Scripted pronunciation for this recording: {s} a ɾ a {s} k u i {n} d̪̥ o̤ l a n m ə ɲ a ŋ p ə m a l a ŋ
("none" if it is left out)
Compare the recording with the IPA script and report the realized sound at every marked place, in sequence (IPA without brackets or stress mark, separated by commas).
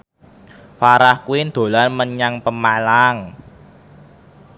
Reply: f, h, n